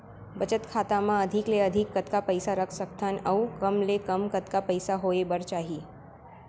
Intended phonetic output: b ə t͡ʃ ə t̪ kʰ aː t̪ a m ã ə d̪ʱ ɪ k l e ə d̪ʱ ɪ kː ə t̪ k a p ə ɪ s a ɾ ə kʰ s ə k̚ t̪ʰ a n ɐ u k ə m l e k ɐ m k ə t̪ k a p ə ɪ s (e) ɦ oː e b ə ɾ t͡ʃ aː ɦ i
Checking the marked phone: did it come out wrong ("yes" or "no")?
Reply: yes